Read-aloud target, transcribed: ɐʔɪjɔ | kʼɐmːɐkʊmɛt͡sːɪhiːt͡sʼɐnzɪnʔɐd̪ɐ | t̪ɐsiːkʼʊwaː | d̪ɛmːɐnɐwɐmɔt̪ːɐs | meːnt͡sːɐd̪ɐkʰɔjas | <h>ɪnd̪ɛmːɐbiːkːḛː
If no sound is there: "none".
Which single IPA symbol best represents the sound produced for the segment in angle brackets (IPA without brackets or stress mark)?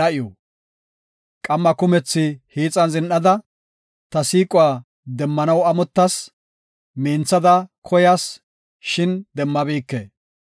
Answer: ʃ